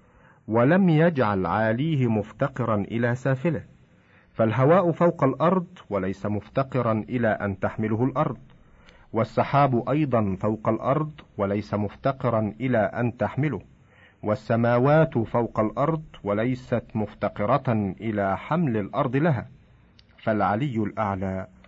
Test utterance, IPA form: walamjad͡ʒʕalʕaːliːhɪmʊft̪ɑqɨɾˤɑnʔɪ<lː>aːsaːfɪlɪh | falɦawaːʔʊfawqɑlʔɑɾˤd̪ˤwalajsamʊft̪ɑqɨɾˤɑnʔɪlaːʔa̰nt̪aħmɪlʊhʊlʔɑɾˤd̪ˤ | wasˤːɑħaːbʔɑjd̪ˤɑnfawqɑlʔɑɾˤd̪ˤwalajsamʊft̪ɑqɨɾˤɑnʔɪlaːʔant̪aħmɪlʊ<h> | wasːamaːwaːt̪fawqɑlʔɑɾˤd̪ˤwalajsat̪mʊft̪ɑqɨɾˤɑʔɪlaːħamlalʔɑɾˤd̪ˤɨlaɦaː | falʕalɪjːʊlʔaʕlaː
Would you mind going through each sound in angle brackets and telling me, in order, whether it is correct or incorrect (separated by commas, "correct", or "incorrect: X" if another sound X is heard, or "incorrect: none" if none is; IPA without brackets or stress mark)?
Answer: incorrect: l, correct